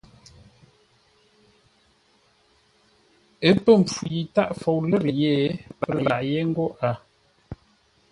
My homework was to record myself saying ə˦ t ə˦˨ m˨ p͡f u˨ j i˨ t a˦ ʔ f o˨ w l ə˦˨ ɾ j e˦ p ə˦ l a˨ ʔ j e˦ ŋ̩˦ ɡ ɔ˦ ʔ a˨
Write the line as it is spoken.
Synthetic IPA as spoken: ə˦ p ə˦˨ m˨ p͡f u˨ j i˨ t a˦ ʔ f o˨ w l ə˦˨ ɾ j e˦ p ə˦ l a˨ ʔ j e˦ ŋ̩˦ ɡ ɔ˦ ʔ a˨